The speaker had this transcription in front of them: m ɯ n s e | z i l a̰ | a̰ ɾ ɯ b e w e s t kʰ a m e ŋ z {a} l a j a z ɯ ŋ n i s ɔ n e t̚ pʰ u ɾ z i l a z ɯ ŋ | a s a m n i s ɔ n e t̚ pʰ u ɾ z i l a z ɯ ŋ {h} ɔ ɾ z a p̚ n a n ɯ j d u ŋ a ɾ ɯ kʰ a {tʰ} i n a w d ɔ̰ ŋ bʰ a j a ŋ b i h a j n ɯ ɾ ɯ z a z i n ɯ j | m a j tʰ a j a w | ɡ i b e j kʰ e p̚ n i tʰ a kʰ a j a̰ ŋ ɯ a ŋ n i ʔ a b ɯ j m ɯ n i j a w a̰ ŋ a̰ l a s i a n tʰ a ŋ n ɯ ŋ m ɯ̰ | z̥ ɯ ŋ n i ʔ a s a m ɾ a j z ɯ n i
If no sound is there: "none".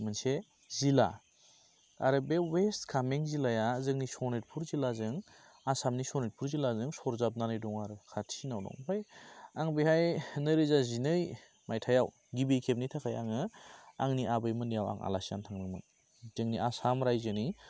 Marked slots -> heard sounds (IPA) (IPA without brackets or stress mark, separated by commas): i, s, tʰ